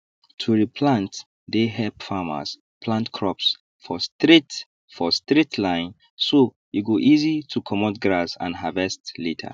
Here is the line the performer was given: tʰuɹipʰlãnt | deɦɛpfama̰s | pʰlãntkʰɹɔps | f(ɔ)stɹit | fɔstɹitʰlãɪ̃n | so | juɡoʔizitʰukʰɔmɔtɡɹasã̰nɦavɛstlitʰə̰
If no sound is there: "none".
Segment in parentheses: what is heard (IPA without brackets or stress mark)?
ɔ